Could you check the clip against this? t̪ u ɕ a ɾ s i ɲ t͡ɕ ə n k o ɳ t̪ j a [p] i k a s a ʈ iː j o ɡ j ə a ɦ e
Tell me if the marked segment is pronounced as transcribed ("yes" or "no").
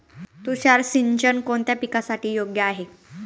yes